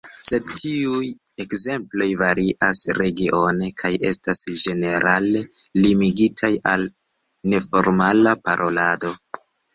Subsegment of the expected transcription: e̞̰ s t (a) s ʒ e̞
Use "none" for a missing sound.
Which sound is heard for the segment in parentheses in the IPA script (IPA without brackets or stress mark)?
a